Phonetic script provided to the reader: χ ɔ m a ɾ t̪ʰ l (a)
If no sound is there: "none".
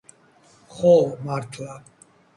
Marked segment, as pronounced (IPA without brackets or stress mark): a